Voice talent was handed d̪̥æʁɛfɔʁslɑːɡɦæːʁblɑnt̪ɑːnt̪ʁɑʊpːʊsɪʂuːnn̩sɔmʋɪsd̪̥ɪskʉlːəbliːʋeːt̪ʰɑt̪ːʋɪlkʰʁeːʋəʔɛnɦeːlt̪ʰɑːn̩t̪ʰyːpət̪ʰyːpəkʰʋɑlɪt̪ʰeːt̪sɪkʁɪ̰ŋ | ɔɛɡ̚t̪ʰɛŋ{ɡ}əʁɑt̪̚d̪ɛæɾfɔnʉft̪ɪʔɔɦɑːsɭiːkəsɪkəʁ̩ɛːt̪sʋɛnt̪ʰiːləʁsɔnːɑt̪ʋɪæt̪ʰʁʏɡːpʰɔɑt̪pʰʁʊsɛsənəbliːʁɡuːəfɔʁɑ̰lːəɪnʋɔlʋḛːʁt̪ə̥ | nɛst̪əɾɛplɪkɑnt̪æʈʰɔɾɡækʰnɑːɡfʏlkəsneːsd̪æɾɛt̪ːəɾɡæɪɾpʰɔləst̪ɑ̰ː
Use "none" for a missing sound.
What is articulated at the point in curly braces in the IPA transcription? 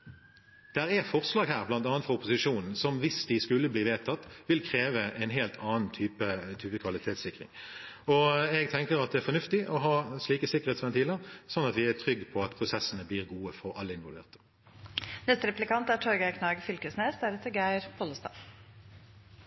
k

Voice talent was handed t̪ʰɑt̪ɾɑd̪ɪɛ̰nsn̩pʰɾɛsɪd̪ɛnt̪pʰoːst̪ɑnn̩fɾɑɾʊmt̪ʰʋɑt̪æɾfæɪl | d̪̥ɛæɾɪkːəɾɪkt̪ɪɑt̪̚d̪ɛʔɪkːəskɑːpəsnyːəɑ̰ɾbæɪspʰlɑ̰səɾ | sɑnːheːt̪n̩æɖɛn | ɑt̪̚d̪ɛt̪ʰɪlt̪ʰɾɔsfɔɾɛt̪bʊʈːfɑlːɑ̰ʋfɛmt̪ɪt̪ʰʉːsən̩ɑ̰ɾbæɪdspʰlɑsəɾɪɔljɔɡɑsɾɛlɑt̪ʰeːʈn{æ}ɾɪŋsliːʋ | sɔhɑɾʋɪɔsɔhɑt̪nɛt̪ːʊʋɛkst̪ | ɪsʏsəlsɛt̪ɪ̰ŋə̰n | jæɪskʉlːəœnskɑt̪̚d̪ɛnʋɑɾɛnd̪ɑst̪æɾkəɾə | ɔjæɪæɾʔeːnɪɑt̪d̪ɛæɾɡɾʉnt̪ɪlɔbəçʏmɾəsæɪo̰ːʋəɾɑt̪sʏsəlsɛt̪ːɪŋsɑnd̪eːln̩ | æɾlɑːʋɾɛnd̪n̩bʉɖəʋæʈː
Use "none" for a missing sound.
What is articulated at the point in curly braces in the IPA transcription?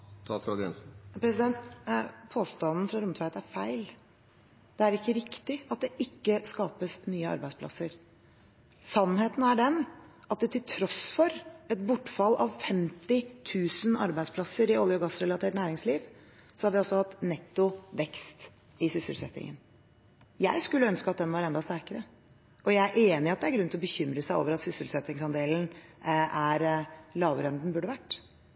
æː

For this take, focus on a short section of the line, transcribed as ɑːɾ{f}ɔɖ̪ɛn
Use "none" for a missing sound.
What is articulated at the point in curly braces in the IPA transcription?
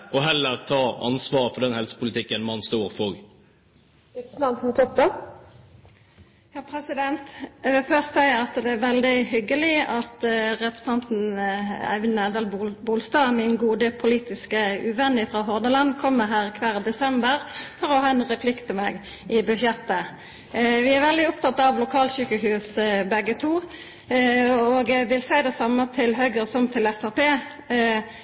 f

